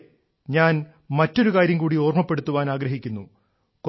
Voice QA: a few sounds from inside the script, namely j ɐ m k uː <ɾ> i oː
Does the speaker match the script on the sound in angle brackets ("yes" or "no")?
no